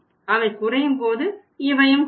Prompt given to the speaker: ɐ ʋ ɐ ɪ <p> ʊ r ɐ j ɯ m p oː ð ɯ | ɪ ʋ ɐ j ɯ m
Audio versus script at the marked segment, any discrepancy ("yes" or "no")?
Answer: yes